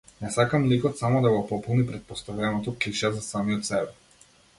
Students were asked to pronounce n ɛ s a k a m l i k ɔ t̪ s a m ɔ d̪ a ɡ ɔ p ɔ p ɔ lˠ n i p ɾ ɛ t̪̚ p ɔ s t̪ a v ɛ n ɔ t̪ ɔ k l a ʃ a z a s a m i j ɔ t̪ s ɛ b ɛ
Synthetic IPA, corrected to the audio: n ɛ s a k a m l i k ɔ t̪ s a m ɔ d̪ a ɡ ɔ p ɔ p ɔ lˠ n i p ɾ ɛ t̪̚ p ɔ s t̪ a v ɛ n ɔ t̪ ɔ k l i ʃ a z a s a m i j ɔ t̪ s ɛ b ɛ